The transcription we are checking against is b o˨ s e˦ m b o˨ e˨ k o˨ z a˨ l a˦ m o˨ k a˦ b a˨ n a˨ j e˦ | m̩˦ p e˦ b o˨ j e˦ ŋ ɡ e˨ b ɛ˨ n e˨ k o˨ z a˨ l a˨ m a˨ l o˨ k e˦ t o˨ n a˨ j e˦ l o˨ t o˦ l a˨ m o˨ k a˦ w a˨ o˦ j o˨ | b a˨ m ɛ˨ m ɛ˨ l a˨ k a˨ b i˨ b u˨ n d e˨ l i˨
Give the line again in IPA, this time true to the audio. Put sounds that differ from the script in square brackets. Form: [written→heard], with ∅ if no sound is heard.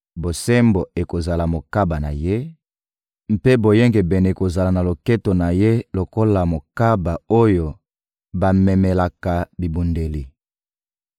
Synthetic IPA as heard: b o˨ s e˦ m b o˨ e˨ k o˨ z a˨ l [a˦→a˨] m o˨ k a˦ b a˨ n a˨ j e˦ | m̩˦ p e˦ b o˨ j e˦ ŋ ɡ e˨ b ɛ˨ n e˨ k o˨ z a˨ l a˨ [m→n] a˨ l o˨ k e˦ t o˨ n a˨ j e˦ l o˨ [t→k] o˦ l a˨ m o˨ k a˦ [w→b] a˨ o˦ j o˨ | b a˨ m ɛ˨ m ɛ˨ l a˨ k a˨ b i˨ b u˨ n d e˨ l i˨